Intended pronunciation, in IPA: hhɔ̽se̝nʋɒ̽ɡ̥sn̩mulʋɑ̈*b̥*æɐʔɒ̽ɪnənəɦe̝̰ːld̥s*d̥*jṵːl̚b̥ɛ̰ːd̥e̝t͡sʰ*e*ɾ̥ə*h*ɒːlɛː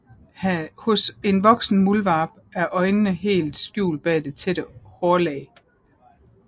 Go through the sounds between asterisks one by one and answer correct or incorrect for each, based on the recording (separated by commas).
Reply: correct, incorrect, correct, correct